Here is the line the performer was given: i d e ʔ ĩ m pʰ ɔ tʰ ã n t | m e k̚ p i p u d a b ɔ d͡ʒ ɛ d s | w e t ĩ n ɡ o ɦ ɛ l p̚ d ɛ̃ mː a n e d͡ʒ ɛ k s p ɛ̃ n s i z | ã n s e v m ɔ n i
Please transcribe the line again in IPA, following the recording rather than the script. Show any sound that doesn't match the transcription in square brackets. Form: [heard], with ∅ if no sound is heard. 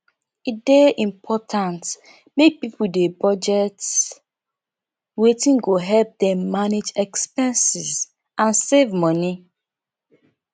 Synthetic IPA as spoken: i d e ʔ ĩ m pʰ ɔ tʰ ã n t | m e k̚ p i p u d [e] b ɔ d͡ʒ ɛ [t] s | w e t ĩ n ɡ o ɦ ɛ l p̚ d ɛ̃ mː a n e d͡ʒ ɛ k s p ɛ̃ n s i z | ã n s e v m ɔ n i

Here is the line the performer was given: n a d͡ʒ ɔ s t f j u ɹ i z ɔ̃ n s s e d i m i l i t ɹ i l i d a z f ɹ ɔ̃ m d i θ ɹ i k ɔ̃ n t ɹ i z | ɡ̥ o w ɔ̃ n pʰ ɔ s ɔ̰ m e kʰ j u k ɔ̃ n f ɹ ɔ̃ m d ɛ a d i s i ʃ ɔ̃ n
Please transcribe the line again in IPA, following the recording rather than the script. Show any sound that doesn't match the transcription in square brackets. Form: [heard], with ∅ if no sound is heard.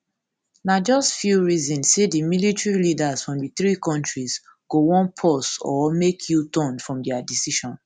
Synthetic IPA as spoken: n a d͡ʒ ɔ s t f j u ɹ i z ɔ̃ n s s e d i m i l i t ɹ i l i d a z f ɹ ɔ̃ m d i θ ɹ i k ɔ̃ n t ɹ i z | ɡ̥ o w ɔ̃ n pʰ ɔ s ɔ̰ m e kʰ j u [t] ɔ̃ n f ɹ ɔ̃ m d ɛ a d i s i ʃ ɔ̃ n

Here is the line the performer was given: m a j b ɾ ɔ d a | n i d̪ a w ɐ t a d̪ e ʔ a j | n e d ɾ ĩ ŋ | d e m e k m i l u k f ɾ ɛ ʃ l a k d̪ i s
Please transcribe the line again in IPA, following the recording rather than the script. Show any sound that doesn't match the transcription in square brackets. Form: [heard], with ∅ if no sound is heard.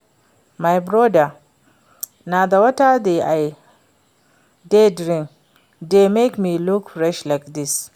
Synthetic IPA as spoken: m a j b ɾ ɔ d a | n [a] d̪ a w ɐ t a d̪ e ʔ a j | [d] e d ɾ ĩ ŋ | d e m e k m i l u k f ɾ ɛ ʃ l a k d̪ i s

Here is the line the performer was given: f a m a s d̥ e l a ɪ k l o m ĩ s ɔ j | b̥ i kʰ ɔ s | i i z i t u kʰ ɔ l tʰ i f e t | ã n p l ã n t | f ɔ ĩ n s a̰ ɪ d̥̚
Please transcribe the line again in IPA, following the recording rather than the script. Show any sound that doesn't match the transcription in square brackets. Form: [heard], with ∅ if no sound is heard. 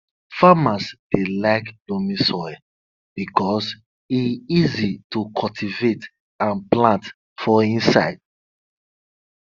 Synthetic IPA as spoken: f a m a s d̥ e l a ɪ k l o m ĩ s ɔ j | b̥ i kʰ ɔ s | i i z i t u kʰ ɔ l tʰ i [v] e t | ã n p l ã n t | f ɔ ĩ n s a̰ ɪ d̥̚

